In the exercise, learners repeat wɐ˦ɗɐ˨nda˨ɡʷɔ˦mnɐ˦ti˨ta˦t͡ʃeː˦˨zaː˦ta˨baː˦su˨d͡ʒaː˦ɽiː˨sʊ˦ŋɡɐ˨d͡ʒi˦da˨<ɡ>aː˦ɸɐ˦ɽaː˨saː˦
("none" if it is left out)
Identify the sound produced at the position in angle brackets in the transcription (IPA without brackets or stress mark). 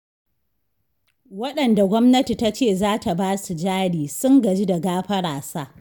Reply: ɡ